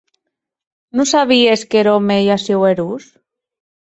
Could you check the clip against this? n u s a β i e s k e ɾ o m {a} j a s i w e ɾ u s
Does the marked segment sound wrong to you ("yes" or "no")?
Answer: yes